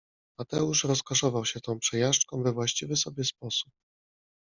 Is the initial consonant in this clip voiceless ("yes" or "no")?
no